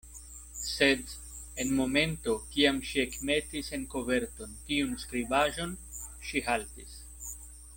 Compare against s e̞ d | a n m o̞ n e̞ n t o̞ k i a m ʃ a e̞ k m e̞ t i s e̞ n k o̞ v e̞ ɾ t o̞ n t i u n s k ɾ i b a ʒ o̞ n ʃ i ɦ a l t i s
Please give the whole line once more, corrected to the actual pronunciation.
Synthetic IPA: s e̞ d | e n m o̞ m e̞ n t o̞ k i a m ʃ i e̞ k m e̞ t i s e̞ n k o̞ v e̞ ɾ t o̞ n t i u n s k ɾ i b a ʒ o̞ n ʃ i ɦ a l t i s